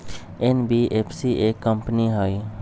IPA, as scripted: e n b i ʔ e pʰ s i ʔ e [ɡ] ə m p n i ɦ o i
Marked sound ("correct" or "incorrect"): incorrect